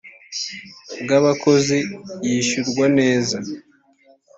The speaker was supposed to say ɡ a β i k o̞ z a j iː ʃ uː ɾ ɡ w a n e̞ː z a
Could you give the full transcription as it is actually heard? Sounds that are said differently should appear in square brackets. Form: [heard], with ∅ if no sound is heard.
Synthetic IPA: ɡ a β [a] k o̞ z [i] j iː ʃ [u] ɾ ɡ w a n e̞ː z a

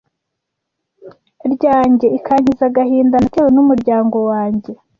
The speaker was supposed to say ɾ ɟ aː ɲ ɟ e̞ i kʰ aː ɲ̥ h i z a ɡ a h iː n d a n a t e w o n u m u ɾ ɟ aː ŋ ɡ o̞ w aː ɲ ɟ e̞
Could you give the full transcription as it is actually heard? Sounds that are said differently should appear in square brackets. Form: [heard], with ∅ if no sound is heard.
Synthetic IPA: ɾ ɟ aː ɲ ɟ e̞ i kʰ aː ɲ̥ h i z a ɡ a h iː n d a n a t e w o n u m u ɾ ɟ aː ŋ ɡ o̞ w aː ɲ ɟ e̞

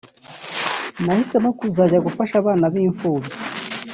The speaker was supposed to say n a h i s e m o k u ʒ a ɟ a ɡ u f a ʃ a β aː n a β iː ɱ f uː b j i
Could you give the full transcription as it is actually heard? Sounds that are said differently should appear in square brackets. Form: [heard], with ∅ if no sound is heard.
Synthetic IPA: n a h i s e m o k u [z] a ɟ a ɡ u f a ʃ a β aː n a β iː ɱ f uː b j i

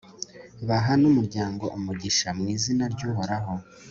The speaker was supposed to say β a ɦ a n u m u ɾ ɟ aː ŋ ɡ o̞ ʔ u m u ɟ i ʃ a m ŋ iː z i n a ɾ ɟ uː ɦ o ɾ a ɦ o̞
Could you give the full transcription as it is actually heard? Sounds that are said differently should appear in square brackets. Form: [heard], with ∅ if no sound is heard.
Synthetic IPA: β a ɦ a n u m u ɾ ɟ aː ŋ ɡ o̞ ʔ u m u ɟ i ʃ a m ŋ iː z i n a ɾ ɟ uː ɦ o ɾ a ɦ o̞

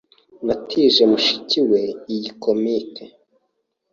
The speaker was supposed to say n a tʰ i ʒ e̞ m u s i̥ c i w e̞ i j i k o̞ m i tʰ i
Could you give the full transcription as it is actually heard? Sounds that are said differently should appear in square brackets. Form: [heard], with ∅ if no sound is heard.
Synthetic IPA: n a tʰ i ʒ e̞ m u [ʃ] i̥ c i w e̞ i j i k o̞ m i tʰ [e]

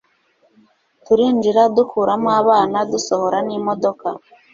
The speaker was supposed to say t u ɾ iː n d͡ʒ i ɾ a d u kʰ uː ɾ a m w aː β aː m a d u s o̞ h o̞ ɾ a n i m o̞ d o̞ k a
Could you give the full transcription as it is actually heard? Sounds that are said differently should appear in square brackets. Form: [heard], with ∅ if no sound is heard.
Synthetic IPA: t u ɾ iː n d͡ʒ i ɾ a d u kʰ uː ɾ a m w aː β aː [n] a d u s o̞ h o̞ ɾ a n i m o̞ d o̞ k a

